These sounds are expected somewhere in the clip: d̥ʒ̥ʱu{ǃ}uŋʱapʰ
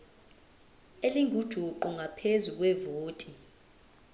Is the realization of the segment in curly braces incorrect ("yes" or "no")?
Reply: no